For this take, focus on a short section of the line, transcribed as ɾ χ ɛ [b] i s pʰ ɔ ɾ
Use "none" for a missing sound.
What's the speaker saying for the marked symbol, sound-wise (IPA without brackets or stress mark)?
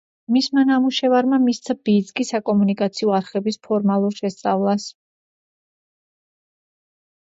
b